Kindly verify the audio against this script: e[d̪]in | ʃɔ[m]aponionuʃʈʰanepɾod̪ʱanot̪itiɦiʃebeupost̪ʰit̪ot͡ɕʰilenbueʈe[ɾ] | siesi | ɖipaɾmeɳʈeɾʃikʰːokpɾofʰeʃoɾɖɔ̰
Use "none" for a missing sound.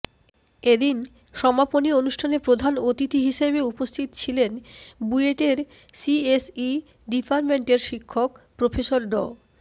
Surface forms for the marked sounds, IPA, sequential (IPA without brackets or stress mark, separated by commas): d̪, m, ɾ